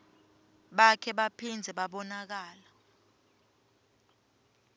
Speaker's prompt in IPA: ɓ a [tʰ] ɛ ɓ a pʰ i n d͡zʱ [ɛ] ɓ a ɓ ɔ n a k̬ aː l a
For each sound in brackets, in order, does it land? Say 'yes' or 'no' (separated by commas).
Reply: no, yes